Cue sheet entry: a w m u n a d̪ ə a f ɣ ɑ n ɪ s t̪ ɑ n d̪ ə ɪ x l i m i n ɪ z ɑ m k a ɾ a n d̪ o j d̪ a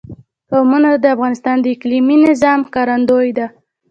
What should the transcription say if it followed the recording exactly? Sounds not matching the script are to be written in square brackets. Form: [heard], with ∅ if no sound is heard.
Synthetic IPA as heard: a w m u n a d̪ ə a f ɣ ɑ n ɪ s t̪ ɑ n d̪ ə ɪ [k] l i m i n ɪ z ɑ m k [ɑ] ɾ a n d̪ o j d̪ a

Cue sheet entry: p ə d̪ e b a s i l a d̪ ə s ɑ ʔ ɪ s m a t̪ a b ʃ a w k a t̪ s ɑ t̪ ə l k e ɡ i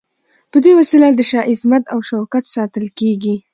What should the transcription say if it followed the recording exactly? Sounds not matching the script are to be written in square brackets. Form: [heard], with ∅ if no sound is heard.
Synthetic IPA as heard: p ə d̪ e [w] a s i l a d̪ ə [ʃ] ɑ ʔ ɪ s m a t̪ a [w] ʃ a w k a t̪ s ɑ t̪ ə l k e ɡ i

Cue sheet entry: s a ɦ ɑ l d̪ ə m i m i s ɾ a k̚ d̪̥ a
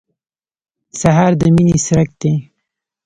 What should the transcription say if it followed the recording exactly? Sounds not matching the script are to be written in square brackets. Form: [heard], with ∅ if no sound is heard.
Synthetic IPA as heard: s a ɦ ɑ [ɾ] d̪ ə m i [n] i s ɾ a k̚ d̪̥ [e]

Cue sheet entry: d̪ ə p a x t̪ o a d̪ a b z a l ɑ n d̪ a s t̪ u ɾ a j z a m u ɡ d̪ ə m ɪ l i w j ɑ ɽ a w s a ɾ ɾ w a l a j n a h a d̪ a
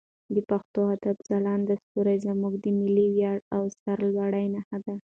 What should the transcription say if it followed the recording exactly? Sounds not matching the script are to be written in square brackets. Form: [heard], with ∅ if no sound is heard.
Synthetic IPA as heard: d̪ ə p a x t̪ o a d̪ a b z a l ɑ n d̪ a s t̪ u ɾ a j z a m u ɡ d̪ ə m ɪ l i w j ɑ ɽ a w s a ɾ [l] w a [ɽ] a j n a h a d̪ a

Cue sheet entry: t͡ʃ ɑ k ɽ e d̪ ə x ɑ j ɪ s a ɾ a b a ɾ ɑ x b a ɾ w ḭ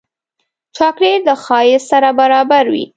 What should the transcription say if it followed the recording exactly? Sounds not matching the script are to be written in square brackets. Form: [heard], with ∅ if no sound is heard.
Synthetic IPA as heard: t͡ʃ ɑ k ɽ e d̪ ə x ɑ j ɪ s a ɾ a b a ɾ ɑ [∅] b a ɾ w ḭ

